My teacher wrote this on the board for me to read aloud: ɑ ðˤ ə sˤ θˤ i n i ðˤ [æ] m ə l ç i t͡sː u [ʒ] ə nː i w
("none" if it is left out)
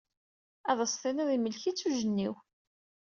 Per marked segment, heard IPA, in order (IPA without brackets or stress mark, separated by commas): i, ʒ